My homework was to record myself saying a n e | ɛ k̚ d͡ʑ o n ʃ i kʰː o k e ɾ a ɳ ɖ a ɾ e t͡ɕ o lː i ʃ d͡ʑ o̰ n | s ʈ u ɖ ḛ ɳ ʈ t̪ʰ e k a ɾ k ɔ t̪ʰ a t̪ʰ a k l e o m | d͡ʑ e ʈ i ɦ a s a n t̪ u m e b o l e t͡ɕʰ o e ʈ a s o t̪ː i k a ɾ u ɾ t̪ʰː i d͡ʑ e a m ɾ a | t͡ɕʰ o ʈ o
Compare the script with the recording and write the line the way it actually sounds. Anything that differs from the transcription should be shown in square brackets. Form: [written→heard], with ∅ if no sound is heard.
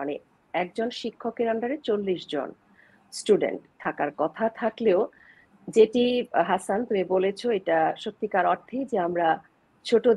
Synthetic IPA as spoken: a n e | ɛ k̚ d͡ʑ o n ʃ i kʰː o k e ɾ a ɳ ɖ a ɾ e t͡ɕ o lː i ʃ d͡ʑ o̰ n | s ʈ u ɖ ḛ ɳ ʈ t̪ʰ [e→a] k a ɾ k ɔ t̪ʰ a t̪ʰ a k l e o [m→∅] | d͡ʑ e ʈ i ɦ a s a n t̪ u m e b o l e t͡ɕʰ o e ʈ a [s→ʃ] o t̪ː i k a ɾ [u→ɔ] ɾ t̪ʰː i d͡ʑ e a m ɾ a | t͡ɕʰ o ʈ o